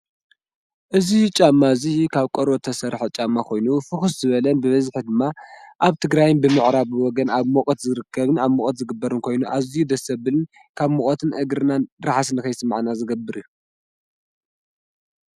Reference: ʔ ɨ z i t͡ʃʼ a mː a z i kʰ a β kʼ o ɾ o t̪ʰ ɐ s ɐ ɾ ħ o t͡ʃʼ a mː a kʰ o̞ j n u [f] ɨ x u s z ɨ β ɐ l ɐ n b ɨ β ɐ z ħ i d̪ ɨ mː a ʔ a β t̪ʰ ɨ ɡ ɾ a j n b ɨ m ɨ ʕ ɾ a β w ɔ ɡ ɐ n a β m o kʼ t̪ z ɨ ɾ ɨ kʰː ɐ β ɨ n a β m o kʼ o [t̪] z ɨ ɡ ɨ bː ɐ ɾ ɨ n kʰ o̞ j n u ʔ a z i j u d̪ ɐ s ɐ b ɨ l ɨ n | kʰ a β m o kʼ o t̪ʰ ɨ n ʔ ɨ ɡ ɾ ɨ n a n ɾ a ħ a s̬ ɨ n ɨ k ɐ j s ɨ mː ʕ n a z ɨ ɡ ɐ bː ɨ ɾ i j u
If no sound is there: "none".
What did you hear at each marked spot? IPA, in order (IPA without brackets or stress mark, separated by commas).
f, t̪